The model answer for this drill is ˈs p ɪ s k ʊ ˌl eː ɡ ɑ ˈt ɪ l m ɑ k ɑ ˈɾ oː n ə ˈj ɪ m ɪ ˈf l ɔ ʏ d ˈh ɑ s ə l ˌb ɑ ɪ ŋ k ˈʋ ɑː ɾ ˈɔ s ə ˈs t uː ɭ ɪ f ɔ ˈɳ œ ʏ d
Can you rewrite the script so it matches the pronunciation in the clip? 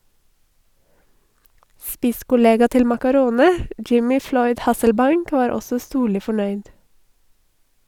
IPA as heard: ˈs p ɪ s k ʊ ˌl eː ɡ ɑ ˈt ɪ l m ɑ k ɑ ˈɾ oː n ə ˈj ɪ m ɪ ˈf l ɔ ʏ d ˈh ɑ s ə l ˌb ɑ ɪ ŋ k ˈʋ ɑː ɾ ˈɔ s ə ˈs t uː ɭ ɪ f ɔ ˈɳ œ ʏ d